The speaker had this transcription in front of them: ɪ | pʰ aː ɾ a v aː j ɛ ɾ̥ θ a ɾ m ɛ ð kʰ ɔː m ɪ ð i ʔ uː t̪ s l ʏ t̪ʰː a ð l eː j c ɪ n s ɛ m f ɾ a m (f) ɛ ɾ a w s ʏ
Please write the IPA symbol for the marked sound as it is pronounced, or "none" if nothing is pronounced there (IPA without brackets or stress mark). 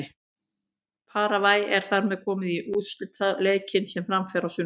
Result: f